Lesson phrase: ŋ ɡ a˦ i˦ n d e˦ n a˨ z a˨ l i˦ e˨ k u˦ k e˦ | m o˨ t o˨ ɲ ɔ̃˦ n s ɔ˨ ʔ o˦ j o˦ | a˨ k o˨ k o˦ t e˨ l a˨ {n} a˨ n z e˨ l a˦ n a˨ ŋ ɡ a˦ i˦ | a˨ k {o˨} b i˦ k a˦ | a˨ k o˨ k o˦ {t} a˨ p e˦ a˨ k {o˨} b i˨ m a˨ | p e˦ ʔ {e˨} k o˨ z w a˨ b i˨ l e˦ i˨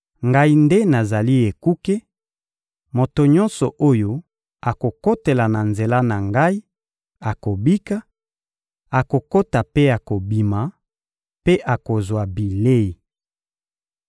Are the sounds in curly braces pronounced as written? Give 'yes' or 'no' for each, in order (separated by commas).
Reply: yes, yes, yes, yes, no